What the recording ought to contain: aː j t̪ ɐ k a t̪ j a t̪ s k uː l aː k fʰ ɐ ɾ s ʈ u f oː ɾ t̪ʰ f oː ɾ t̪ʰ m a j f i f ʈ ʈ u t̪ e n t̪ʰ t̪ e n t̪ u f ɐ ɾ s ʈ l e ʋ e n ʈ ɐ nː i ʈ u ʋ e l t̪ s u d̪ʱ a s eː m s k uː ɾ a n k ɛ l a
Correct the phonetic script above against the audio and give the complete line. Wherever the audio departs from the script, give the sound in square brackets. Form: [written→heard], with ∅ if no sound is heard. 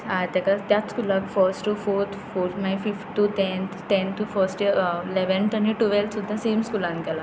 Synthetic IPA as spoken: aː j t̪ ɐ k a t̪ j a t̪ s k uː l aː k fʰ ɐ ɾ s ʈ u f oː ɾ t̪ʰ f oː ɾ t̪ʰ m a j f i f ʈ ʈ u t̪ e n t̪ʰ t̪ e n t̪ u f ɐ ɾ s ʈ l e ʋ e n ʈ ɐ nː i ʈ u ʋ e l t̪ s u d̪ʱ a s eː m s k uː [ɾ→l] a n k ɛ l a